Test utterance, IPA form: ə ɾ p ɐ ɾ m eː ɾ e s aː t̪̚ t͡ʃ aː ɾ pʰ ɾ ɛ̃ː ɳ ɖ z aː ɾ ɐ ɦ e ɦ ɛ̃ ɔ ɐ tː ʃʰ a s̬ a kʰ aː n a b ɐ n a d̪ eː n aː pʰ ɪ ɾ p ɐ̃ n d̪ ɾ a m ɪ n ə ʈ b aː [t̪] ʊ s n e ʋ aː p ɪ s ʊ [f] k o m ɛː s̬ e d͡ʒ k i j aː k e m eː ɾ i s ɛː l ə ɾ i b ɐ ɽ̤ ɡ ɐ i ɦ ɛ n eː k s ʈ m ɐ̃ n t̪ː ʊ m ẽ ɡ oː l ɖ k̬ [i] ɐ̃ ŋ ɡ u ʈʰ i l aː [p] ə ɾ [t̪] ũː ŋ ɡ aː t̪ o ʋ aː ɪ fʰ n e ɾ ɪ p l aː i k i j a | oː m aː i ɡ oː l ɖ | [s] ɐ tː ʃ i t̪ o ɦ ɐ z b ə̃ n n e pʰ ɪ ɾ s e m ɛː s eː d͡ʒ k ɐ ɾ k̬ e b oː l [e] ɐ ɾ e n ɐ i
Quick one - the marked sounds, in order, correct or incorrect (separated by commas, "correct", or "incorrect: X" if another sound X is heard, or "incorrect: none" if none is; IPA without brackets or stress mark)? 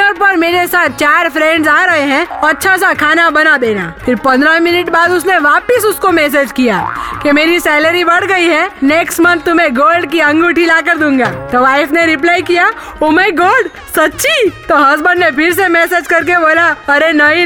incorrect: d̪, incorrect: s, correct, incorrect: k, incorrect: d̪, correct, incorrect: a